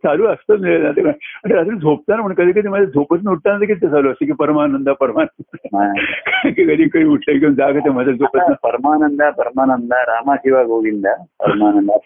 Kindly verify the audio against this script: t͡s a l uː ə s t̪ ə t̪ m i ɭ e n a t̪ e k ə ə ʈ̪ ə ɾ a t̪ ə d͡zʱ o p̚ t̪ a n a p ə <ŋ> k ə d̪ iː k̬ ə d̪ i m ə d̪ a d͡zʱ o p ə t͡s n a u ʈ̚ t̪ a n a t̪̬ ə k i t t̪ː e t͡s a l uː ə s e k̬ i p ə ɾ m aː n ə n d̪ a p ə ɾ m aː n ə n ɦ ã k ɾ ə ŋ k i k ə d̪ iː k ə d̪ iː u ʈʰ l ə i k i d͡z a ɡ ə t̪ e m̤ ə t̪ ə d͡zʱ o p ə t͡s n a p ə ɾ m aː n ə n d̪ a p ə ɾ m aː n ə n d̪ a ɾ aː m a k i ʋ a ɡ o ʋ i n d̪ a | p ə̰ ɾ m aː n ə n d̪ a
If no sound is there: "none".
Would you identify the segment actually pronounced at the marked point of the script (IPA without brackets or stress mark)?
ɳ